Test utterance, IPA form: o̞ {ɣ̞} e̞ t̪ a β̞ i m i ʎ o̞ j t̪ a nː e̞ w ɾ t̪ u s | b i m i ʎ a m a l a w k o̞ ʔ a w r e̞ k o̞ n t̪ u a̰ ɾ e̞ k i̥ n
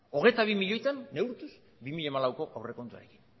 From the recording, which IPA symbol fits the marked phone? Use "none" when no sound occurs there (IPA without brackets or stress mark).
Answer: ɣ̞